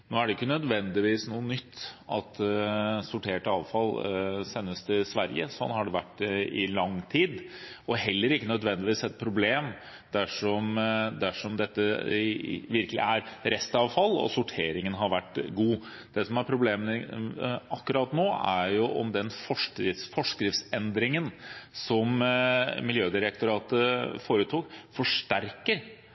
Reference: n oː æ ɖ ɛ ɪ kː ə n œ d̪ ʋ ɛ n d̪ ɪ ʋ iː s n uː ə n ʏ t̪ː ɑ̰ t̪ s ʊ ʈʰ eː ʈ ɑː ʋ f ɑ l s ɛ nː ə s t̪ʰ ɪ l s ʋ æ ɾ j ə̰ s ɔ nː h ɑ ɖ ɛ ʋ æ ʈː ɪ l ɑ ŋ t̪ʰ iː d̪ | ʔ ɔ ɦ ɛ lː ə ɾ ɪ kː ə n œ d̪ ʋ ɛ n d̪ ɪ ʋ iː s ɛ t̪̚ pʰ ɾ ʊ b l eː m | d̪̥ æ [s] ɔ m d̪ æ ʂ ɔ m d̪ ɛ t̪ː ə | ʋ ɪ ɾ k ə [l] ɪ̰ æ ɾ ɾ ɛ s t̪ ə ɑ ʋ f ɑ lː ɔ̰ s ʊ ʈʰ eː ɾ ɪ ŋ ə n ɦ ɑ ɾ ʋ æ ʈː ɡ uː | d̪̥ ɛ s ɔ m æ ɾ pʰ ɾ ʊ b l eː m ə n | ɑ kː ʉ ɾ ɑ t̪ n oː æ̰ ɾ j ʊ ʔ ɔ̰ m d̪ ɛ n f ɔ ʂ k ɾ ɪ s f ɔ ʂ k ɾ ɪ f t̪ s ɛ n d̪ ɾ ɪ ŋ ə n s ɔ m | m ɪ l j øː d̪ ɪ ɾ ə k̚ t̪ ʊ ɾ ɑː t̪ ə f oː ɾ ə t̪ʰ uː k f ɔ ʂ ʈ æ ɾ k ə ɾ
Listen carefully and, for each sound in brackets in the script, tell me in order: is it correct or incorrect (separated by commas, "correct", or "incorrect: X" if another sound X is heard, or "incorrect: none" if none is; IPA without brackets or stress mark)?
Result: incorrect: ʂ, correct